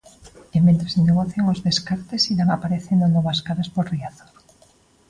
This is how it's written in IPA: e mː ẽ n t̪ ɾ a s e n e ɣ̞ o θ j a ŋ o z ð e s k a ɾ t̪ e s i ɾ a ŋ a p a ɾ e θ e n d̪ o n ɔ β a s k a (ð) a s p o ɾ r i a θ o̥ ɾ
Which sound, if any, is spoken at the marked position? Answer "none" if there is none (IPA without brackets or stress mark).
ð